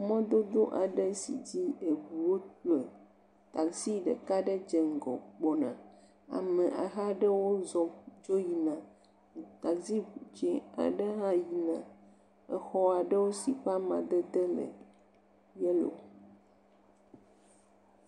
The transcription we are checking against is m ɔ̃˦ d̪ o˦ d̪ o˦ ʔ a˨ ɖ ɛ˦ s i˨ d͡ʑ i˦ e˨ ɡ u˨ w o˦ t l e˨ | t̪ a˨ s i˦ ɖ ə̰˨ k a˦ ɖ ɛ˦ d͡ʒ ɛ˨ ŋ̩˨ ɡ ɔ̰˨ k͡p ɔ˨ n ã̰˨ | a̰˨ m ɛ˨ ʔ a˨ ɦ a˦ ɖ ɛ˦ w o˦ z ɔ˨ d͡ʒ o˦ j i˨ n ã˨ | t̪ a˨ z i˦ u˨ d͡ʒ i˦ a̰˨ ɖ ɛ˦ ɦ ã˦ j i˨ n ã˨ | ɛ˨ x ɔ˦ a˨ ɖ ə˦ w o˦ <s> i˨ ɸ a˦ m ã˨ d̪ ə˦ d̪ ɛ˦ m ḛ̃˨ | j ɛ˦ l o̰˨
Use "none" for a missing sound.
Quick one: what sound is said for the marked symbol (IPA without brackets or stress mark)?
s